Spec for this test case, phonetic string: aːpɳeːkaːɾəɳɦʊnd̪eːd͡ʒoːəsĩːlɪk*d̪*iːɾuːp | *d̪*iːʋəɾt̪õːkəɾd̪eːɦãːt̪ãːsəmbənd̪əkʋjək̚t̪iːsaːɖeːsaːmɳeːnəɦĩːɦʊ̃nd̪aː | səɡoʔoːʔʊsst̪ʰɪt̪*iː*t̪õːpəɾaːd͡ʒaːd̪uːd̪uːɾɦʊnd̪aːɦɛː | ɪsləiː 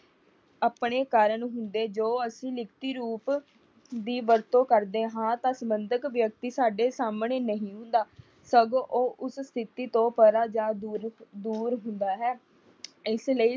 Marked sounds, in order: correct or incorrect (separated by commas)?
incorrect, correct, correct